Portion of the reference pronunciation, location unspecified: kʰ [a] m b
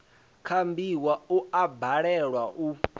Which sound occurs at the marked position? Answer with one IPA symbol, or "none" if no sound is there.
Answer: a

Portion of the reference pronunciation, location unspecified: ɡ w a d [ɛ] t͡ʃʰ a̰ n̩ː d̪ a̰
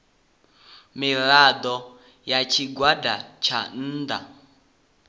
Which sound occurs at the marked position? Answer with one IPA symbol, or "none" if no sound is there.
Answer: a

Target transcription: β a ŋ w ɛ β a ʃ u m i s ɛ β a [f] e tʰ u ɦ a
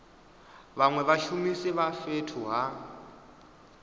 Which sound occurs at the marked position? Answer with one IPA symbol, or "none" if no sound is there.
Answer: f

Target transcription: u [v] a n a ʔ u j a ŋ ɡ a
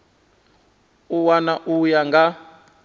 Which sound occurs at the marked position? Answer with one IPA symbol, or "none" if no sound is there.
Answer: w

